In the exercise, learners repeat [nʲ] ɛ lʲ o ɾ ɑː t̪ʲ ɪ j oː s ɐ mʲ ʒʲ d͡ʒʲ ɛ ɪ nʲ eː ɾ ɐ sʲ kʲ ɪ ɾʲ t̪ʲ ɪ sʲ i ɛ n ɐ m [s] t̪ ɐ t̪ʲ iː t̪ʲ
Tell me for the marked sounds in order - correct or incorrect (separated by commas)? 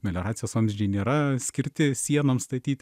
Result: incorrect, correct